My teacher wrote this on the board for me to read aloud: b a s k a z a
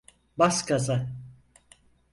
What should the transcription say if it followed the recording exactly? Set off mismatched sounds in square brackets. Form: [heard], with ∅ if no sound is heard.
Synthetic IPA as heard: b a s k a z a